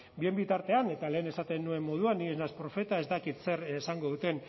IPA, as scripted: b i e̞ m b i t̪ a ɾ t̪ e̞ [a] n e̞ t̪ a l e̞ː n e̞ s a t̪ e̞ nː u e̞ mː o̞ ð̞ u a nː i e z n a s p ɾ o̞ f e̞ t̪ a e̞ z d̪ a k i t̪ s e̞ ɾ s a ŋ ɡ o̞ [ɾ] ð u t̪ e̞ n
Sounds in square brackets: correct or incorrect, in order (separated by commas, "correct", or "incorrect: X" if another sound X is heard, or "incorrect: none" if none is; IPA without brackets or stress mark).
correct, incorrect: none